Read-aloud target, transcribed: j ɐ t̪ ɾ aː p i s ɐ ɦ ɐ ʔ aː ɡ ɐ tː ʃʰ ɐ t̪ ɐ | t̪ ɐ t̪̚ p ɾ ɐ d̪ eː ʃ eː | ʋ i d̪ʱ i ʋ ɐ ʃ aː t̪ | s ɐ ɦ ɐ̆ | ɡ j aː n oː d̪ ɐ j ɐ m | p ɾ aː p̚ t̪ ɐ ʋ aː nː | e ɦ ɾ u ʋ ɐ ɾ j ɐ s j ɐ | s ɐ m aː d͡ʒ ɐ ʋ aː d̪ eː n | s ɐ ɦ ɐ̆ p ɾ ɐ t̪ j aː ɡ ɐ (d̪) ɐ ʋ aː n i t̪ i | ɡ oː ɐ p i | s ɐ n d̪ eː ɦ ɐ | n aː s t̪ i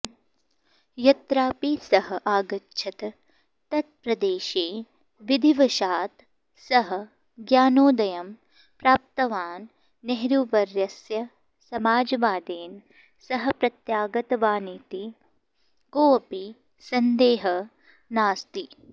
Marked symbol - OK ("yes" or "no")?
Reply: no